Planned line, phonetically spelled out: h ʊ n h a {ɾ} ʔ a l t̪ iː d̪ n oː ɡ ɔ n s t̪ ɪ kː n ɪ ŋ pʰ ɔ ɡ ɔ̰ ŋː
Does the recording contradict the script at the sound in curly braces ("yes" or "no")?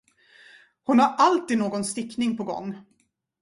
no